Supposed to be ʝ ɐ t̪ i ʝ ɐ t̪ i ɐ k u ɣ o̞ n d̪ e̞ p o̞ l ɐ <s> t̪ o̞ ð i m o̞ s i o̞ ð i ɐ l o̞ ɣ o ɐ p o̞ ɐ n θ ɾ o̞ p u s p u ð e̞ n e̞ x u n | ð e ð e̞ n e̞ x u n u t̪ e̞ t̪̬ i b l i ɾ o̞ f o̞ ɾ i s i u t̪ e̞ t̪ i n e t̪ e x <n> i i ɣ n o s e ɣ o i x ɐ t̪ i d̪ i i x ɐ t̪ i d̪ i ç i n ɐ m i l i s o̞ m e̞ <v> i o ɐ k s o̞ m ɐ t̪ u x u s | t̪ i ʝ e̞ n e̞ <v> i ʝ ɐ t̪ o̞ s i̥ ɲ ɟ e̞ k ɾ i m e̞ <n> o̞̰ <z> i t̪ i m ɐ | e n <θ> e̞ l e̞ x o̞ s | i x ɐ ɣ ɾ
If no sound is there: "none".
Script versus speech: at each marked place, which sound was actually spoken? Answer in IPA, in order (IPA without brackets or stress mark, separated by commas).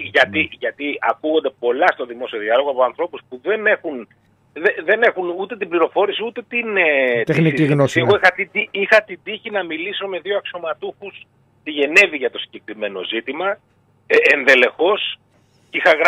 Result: s, n, ð, v, n, z, ð